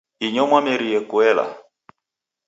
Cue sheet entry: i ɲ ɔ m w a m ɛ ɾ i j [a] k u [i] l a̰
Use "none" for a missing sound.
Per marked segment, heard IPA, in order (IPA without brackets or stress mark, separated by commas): ɛ, ɛ